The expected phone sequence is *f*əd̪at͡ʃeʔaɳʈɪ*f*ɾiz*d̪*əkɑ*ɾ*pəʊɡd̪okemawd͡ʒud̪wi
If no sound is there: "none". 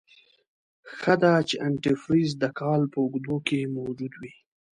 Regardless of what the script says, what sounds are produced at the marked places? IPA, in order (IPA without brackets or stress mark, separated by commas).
x, f, d̪, l